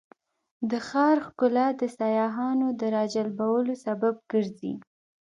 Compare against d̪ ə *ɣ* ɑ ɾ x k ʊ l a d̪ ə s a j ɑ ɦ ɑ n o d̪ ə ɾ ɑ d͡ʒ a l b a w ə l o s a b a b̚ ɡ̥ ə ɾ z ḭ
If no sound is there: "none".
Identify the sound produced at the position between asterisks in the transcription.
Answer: x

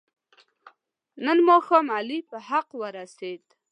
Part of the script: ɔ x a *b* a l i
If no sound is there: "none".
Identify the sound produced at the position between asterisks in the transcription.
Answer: m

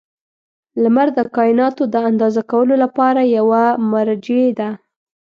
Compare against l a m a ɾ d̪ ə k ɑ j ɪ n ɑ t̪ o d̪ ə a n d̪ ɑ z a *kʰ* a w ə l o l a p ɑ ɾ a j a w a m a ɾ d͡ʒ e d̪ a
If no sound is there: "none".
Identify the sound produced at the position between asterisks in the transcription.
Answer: k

